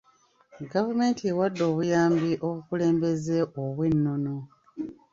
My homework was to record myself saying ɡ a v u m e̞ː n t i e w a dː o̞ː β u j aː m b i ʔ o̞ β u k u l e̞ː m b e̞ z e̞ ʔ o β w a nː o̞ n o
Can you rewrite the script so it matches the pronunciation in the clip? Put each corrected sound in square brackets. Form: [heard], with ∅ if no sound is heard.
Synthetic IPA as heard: ɡ a v u m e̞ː n t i e w a dː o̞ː β u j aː m b i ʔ o̞ β u k u l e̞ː m b e̞ z e̞ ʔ o β w [e] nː o̞ n o